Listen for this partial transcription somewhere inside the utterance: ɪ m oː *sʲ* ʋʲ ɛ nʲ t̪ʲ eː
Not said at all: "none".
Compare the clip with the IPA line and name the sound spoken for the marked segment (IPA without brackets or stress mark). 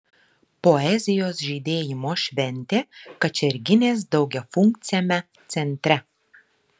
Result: ʃʲ